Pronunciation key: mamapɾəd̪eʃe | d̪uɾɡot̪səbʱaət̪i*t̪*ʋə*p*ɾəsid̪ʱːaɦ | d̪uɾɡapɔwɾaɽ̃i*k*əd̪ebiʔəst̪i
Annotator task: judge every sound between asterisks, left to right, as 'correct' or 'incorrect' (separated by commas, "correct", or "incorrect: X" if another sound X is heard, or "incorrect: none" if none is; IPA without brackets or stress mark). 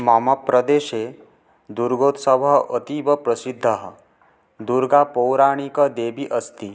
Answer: incorrect: none, correct, correct